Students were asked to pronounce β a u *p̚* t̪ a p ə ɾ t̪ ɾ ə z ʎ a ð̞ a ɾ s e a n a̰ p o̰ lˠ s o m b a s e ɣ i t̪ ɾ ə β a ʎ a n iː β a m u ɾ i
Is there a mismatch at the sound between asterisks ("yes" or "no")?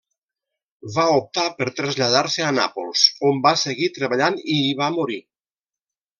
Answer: no